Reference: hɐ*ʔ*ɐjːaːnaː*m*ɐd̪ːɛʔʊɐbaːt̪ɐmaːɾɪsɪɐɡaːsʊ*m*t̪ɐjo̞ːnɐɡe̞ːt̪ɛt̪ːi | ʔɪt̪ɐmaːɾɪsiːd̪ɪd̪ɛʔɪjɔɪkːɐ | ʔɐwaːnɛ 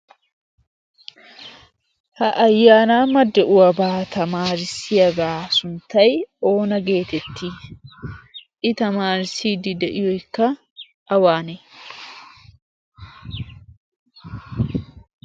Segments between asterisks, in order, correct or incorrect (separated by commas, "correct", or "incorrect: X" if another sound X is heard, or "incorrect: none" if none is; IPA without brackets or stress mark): correct, correct, incorrect: n